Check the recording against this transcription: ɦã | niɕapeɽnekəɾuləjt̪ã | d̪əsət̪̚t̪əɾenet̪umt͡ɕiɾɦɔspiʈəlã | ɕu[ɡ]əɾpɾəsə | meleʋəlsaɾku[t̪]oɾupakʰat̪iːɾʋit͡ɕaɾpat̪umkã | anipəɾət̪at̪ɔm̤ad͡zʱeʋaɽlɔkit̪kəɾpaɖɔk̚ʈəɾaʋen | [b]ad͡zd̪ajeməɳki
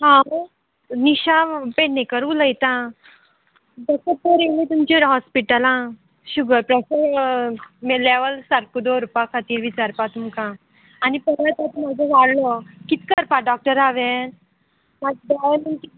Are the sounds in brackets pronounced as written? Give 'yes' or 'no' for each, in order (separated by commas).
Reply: yes, no, no